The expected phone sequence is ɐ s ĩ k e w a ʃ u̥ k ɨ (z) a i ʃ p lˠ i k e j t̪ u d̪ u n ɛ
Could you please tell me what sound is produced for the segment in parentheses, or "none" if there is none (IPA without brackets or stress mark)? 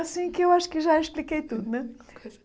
ʒ